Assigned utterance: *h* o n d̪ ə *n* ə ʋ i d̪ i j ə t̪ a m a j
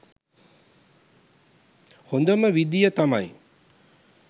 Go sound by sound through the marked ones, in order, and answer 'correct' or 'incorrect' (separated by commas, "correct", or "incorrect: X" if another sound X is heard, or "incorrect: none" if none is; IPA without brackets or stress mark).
correct, incorrect: m